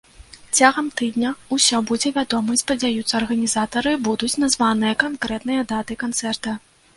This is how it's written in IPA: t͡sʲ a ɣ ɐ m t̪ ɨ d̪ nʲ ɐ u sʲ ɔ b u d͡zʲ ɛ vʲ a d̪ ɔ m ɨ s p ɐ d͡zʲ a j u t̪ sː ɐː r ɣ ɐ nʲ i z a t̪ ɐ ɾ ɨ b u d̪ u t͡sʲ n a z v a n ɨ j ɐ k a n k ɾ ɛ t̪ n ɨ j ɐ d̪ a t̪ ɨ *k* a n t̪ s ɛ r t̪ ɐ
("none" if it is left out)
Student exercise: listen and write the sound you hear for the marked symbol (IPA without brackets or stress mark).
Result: k